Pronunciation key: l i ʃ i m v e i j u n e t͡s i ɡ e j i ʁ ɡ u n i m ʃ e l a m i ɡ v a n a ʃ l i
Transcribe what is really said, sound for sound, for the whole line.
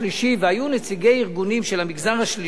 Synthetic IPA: l i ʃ i v e a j u n e t͡s i ɡ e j i ʁ ɡ u n i m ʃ e l a m i ɡ z a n a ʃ l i